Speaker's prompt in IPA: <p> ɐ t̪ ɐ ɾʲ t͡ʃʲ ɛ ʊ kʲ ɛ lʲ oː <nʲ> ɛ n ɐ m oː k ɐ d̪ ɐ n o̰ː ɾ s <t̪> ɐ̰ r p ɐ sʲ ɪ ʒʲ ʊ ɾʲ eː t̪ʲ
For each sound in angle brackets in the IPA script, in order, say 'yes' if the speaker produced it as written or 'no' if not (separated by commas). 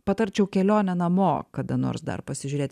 yes, yes, no